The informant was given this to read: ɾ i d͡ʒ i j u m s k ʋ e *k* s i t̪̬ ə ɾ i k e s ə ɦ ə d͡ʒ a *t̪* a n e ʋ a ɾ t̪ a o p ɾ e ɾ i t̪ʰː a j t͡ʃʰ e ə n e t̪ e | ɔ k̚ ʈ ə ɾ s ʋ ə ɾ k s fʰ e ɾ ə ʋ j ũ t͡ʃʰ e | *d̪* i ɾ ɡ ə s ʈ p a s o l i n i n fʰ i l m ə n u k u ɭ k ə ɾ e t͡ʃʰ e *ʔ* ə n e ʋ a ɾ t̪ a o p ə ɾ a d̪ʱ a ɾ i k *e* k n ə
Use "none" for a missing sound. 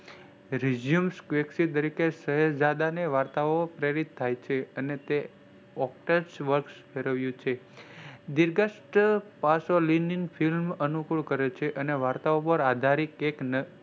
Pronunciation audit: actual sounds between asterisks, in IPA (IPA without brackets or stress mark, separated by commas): k, d̪, d̪, ʔ, e